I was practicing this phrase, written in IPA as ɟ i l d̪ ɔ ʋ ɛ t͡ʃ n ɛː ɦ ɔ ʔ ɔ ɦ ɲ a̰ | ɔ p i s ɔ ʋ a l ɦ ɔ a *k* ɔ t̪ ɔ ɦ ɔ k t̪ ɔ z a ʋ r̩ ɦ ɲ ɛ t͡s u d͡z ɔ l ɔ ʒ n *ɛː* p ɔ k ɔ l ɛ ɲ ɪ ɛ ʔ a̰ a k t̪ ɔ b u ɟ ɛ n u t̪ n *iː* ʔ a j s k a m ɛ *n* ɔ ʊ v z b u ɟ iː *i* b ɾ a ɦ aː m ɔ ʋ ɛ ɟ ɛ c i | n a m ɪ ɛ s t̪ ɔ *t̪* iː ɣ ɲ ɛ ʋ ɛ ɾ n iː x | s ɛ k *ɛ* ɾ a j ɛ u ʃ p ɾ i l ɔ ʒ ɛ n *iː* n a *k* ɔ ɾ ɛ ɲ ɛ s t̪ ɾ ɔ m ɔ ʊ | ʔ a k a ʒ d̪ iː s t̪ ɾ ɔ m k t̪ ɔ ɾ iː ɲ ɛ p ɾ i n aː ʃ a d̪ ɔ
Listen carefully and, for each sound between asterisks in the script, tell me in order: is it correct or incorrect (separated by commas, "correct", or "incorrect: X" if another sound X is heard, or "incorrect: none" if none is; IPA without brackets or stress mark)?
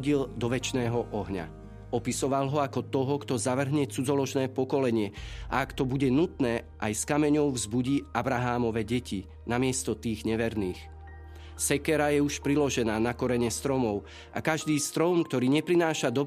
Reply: correct, correct, incorrect: ɛː, incorrect: ɲ, incorrect: a, correct, correct, incorrect: aː, correct